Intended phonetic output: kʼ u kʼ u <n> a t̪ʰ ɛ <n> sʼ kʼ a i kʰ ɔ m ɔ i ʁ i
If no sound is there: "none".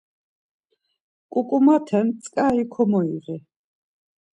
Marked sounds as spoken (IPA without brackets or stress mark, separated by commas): m, n